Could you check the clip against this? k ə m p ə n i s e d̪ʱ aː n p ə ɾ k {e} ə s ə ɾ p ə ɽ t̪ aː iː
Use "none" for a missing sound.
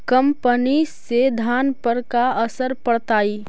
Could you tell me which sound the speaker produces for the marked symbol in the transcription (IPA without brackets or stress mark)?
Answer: a